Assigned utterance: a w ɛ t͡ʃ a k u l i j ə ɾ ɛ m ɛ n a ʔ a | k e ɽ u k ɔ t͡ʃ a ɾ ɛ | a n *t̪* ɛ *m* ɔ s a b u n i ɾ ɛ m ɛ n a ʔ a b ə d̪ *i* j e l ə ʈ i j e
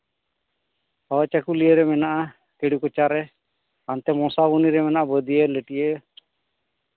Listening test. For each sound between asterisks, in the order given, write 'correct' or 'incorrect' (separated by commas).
correct, correct, correct